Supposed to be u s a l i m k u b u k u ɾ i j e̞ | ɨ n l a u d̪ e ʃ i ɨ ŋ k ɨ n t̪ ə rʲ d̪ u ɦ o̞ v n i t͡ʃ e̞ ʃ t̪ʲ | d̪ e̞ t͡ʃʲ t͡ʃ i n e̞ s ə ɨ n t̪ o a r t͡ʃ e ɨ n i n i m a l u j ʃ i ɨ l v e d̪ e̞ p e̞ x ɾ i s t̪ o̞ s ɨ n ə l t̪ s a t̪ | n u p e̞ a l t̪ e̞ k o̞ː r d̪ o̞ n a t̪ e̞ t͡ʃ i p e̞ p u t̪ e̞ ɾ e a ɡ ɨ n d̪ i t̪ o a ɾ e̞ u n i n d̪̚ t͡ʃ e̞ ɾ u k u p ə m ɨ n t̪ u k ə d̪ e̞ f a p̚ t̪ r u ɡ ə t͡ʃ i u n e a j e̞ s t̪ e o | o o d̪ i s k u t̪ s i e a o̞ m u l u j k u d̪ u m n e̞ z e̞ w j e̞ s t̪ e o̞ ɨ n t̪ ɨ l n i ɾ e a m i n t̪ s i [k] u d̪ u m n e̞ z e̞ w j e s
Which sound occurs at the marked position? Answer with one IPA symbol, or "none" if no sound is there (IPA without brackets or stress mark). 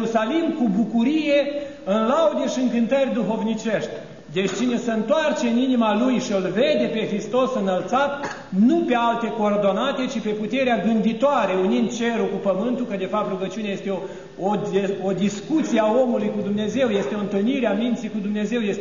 k